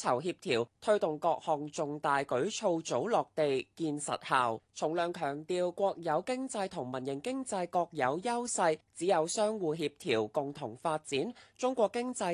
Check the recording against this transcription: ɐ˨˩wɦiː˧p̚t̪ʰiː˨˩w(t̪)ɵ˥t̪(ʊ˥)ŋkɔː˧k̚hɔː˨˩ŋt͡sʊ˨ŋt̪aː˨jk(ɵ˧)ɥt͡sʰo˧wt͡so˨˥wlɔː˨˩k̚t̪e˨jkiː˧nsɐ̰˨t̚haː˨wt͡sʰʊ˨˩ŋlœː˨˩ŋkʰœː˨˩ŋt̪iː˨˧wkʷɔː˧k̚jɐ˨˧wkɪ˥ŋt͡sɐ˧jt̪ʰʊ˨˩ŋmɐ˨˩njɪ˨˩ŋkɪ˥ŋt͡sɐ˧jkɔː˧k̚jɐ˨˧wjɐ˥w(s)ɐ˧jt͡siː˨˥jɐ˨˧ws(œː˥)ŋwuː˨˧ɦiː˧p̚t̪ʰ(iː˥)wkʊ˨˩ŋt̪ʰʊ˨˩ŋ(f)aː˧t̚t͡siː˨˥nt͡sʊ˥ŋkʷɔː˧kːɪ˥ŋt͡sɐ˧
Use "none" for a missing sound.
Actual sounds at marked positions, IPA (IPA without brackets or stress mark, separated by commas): t̪ʰ, ʊ˨, ɵ˨˥, s, œː˥, iː˨˩, f